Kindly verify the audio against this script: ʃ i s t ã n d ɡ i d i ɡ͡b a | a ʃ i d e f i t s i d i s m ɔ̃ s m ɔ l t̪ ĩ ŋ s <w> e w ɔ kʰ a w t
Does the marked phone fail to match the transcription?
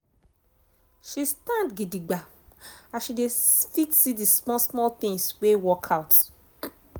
no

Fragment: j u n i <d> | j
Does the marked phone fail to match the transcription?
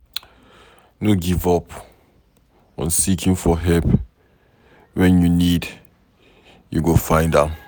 no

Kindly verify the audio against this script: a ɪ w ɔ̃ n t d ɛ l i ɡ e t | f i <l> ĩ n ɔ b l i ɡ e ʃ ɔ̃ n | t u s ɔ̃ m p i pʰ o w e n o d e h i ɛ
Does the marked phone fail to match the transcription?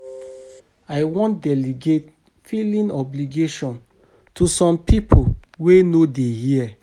no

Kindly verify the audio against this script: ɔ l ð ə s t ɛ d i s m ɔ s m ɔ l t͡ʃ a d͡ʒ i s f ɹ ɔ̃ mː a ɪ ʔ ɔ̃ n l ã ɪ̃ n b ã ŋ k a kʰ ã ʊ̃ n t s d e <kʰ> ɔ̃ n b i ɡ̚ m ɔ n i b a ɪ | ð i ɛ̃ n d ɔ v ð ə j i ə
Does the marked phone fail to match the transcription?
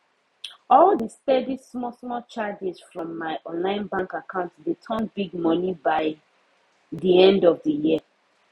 yes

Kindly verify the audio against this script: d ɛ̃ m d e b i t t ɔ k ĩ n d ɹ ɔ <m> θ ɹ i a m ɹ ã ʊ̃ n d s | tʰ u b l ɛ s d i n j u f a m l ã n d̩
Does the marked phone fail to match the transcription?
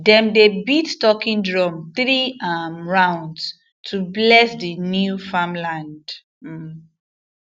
no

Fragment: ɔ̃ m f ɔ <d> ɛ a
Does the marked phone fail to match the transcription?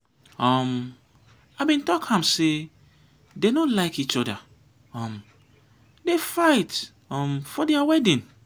no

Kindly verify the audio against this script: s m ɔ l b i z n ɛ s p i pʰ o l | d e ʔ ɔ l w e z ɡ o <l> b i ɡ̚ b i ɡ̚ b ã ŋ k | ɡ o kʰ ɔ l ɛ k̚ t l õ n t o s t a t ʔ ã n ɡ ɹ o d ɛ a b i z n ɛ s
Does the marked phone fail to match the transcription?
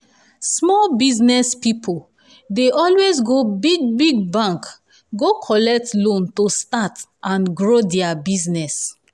yes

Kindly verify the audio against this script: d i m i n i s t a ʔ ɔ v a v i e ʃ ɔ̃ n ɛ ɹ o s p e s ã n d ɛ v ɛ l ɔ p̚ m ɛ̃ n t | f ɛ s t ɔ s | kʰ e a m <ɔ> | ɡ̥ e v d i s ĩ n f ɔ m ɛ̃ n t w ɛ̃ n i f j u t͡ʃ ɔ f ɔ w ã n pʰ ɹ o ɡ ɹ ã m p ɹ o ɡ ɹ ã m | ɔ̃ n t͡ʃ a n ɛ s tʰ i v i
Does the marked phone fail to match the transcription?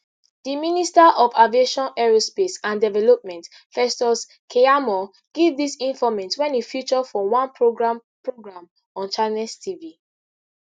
no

